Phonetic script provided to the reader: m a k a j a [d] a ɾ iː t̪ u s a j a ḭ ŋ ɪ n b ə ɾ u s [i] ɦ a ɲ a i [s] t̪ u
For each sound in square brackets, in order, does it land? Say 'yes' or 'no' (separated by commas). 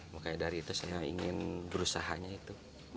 yes, no, no